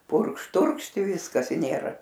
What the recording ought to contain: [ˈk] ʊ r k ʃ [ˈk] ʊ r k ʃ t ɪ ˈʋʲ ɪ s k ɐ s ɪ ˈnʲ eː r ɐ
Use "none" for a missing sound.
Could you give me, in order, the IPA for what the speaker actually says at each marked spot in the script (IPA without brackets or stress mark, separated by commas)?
p, t